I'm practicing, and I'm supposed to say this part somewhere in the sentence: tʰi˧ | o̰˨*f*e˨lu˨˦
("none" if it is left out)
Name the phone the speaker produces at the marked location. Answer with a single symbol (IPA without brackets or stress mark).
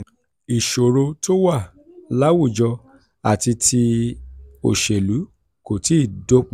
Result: ʃ